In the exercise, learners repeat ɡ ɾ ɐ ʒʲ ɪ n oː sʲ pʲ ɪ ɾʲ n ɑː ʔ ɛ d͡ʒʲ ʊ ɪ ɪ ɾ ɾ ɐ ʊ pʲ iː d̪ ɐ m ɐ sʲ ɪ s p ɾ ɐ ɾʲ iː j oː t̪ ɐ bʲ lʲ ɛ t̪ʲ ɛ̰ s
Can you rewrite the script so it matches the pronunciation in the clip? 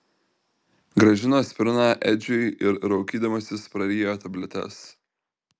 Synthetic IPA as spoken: ɡ ɾ ɐ ʒʲ ɪ n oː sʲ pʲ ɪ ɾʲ n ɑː ʔ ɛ d͡ʒʲ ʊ ɪ ɪ ɾ ɾ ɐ ʊ kʲ iː d̪ ɐ m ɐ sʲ ɪ s p ɾ ɐ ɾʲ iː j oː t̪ ɐ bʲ lʲ ɛ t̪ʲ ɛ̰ s